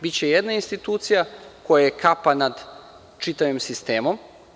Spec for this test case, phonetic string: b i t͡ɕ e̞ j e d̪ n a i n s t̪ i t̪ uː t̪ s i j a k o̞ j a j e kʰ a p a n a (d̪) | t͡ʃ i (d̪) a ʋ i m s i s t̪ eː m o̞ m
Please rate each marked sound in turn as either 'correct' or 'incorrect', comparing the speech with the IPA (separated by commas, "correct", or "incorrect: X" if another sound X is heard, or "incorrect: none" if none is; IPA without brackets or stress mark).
correct, incorrect: t̪